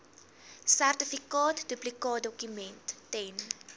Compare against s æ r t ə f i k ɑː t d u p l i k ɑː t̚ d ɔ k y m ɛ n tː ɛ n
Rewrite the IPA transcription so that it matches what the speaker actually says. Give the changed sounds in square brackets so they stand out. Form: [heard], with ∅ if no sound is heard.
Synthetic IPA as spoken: s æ r t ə f i k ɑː t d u p l i k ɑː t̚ d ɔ k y m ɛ n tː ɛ n